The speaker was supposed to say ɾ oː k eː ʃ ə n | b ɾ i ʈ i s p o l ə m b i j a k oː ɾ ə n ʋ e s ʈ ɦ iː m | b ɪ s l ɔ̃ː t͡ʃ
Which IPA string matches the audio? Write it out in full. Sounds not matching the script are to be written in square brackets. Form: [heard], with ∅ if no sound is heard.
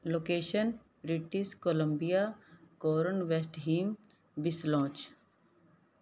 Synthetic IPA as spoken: [l] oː k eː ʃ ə n | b ɾ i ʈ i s [k] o l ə m b i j a k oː ɾ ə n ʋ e s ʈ ɦ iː m | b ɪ s l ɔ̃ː t͡ʃ